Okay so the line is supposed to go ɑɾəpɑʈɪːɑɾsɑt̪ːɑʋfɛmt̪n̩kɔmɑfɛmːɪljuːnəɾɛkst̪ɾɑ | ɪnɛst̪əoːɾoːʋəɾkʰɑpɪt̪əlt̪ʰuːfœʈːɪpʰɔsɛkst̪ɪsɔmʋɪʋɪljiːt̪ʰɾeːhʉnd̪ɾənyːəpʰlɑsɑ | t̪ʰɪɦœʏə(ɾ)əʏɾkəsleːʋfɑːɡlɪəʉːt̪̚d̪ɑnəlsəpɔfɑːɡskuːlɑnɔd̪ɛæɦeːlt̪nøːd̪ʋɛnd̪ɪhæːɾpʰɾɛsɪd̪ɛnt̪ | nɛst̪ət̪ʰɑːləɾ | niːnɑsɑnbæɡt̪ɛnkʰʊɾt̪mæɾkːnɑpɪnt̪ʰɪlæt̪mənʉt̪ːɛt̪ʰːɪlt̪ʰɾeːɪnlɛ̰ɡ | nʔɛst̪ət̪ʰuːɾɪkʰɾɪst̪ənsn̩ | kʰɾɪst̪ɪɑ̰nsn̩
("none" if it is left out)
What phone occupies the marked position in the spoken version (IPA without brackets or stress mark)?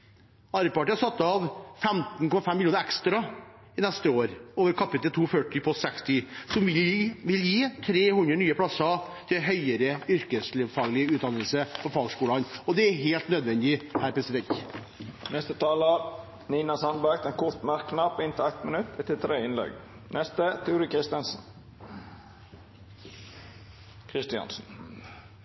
ɾ